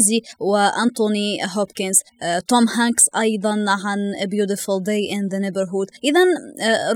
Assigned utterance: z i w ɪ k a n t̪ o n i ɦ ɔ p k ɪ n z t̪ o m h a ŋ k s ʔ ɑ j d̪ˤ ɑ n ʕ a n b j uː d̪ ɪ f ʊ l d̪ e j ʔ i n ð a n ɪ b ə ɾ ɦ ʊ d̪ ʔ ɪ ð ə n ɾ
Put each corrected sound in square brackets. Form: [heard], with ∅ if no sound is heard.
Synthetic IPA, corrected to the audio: z i w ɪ [ʔ] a n t̪ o n i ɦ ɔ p k ɪ n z t̪ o m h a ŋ k s ʔ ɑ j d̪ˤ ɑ n ʕ a n b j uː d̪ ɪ f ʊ l d̪ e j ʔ [ɪ] n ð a n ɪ b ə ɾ ɦ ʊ d̪ ʔ ɪ ð [a] n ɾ